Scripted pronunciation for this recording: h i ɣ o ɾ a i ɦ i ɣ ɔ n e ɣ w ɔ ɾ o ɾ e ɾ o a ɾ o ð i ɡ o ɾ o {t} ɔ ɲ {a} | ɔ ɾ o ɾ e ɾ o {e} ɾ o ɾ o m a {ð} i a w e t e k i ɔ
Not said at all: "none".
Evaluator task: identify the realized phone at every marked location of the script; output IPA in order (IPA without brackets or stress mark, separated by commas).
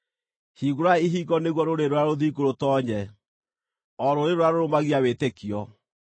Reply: t, ɛ, a, ɣ